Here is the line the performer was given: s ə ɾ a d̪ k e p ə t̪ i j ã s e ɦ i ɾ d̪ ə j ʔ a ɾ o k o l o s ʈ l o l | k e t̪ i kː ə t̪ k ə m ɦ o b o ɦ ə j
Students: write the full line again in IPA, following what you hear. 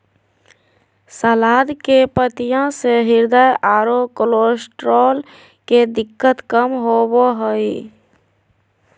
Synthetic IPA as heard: s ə l a d̪ k e p ə t̪ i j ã s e ɦ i ɾ d̪ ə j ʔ a ɾ o k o l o s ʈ ɾ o l | k e d̪ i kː ə t̪ k ə m ɦ o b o ɦ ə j